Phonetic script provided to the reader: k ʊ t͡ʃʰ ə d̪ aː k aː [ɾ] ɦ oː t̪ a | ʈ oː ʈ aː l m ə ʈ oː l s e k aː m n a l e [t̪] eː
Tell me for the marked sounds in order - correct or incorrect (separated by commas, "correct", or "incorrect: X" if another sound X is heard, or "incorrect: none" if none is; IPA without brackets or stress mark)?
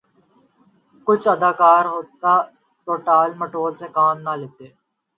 correct, correct